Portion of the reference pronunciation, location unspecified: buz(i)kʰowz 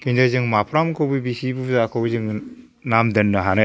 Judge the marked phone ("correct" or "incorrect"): incorrect